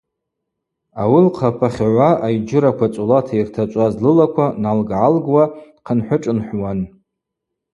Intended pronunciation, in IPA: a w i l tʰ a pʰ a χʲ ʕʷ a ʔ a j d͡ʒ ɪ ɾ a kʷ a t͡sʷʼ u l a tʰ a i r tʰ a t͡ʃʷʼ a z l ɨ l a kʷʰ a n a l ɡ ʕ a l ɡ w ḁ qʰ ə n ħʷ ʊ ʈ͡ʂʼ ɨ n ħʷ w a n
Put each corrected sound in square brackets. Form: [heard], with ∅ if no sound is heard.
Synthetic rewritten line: a w i l [qʰ] a pʰ a χʲ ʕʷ a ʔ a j d͡ʒ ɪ ɾ a kʷ a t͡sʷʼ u l a tʰ a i r tʰ a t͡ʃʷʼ a z l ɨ l a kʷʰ a n a l ɡ ʕ a l ɡ w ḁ qʰ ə n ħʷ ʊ ʈ͡ʂʼ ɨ n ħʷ w a n